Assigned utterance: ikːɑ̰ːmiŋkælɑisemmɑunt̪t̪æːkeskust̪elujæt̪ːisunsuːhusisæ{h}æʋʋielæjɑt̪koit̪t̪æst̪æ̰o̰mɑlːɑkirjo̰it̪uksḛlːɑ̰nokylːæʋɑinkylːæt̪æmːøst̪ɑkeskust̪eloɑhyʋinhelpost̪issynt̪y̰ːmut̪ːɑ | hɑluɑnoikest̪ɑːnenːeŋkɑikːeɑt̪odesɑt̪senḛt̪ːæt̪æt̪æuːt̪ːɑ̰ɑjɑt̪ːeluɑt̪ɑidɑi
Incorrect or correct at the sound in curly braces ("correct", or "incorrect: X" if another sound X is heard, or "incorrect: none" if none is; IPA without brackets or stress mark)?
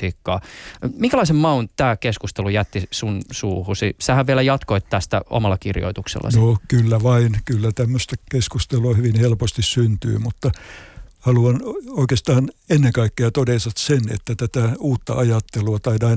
correct